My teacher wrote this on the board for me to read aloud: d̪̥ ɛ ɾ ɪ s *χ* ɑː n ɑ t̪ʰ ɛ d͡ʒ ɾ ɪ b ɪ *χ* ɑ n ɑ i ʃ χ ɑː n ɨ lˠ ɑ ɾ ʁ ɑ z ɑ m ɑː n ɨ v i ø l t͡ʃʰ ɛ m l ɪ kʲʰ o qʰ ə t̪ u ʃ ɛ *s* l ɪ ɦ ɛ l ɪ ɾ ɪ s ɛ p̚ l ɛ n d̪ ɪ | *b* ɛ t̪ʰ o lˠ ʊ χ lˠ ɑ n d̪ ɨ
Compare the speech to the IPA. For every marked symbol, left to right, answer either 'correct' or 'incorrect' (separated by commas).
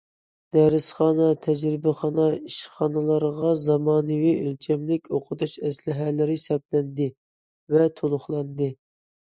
correct, correct, correct, incorrect